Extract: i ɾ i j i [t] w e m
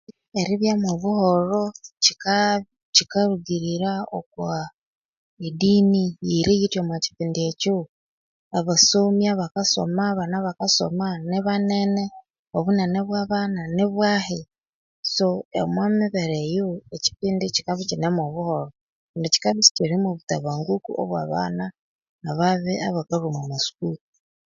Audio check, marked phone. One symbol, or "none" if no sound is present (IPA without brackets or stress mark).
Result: t